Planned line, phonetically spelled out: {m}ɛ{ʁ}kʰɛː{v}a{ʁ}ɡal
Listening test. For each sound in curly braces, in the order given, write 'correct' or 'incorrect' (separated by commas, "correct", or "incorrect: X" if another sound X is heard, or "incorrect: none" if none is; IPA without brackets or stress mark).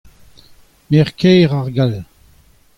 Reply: correct, correct, incorrect: ʁ, correct